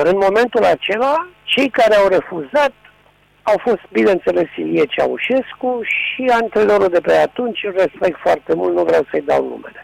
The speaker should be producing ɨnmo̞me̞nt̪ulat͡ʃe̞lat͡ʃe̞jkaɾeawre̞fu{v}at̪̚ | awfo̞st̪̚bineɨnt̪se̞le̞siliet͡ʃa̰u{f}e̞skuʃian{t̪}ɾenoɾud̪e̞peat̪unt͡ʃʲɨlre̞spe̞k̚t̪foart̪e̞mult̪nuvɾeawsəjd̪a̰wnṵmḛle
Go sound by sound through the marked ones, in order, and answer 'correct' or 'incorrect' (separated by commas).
incorrect, incorrect, correct